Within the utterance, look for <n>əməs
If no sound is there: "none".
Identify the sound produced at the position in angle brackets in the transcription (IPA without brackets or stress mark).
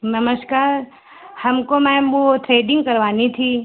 n